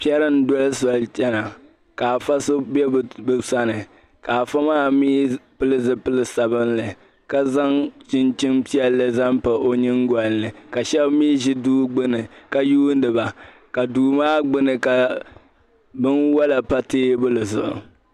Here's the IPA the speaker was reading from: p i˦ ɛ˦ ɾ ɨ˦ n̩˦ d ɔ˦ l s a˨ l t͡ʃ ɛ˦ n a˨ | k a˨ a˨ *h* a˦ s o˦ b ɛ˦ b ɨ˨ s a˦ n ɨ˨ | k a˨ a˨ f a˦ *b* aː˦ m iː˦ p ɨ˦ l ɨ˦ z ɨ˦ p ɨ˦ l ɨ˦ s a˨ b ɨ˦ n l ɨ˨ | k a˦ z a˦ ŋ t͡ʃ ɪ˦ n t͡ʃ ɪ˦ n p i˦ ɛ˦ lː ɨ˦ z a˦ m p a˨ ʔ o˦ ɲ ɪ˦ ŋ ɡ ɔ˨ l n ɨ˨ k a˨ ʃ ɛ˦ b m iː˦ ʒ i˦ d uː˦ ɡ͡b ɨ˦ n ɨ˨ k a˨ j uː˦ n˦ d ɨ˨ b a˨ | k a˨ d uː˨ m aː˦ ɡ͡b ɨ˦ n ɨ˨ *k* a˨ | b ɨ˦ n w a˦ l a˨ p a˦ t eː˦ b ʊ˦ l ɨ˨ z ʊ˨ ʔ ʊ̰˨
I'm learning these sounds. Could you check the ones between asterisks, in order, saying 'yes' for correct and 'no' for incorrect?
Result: no, no, yes

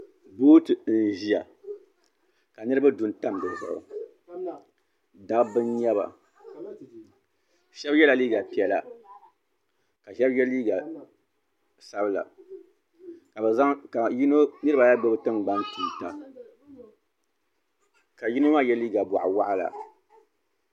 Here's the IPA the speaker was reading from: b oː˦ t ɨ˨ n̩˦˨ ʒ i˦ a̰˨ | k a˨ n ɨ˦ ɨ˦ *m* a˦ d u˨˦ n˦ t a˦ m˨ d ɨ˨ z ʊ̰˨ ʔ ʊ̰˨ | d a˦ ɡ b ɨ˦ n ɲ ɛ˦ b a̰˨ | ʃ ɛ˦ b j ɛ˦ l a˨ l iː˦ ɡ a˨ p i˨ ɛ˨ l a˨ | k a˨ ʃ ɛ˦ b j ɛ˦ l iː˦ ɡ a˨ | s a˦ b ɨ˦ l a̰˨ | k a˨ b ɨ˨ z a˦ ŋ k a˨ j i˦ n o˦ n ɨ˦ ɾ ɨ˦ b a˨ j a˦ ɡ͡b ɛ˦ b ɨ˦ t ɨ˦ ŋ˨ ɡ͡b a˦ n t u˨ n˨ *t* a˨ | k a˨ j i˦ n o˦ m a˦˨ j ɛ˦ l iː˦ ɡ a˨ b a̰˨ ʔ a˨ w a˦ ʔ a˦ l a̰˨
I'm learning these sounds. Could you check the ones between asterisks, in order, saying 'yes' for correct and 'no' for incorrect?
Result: no, yes

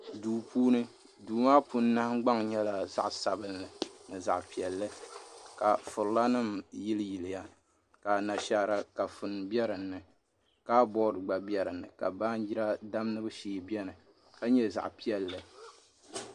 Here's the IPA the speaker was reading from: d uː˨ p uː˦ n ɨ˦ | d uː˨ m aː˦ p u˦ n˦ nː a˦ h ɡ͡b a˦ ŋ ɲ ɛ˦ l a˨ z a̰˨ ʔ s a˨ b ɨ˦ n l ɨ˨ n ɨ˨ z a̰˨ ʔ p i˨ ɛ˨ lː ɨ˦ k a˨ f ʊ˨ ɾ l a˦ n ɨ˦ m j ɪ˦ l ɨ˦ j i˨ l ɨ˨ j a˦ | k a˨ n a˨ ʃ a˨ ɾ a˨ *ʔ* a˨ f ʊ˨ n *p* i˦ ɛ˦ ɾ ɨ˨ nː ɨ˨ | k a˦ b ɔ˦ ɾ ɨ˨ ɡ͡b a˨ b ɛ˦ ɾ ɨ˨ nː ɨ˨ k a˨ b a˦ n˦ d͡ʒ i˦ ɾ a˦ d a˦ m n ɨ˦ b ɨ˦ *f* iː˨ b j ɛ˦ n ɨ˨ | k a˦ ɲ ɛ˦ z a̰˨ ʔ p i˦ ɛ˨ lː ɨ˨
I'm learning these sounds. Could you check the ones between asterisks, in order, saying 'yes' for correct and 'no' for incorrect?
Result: no, no, no

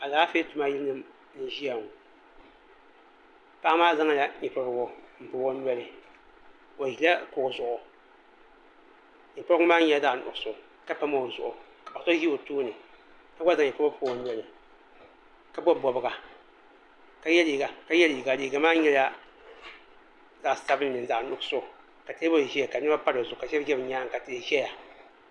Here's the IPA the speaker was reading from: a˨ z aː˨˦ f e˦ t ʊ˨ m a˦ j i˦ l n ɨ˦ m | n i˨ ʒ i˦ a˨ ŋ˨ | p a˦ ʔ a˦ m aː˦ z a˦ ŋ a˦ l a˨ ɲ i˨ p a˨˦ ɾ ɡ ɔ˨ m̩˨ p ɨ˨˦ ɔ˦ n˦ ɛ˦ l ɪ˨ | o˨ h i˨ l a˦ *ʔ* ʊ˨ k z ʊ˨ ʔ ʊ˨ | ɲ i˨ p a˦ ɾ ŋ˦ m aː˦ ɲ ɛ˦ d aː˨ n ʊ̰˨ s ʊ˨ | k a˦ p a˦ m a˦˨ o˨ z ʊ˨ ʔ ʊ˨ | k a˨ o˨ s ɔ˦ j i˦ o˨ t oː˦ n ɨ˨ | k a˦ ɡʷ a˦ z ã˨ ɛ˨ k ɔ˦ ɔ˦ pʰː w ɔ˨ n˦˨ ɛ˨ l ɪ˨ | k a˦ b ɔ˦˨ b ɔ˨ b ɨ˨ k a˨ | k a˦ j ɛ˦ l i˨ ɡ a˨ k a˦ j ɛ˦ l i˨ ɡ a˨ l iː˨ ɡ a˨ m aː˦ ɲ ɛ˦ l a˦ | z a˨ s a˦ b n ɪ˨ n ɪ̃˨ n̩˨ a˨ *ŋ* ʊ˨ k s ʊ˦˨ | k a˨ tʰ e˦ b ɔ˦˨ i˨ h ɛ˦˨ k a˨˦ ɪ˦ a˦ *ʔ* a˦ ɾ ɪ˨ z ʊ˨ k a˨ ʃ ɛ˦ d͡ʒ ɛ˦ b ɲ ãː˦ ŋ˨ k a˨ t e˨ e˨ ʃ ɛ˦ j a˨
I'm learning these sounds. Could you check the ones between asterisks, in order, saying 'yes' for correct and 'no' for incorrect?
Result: no, no, no

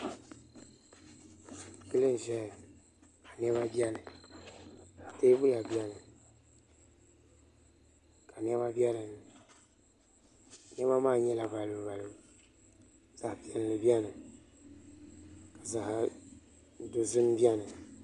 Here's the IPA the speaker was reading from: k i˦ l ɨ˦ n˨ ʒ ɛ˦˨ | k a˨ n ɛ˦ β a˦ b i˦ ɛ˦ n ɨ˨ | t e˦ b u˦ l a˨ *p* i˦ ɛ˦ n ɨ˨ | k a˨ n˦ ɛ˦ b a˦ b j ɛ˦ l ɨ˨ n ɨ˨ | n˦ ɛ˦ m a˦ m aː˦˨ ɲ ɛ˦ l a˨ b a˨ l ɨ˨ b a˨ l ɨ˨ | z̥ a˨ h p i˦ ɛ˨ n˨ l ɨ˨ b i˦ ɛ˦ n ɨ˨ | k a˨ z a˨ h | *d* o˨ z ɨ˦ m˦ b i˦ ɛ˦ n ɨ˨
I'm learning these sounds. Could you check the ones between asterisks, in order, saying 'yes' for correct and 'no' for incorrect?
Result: no, yes

